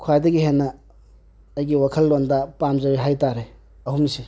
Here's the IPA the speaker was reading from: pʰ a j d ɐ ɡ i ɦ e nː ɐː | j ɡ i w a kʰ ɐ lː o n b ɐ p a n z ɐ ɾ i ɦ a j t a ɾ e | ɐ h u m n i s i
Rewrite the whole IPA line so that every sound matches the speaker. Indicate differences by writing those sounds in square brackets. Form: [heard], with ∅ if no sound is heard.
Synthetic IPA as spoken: [kʰ] a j d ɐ ɡ i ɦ e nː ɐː | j ɡ i w a kʰ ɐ lː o n [d] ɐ p a [m] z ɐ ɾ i ɦ a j t a ɾ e | ɐ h u m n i s i